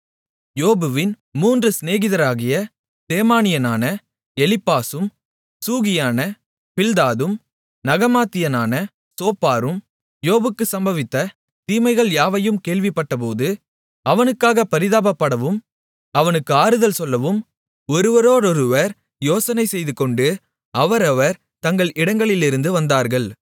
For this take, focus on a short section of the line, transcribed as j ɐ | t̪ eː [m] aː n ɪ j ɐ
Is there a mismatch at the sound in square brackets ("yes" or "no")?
no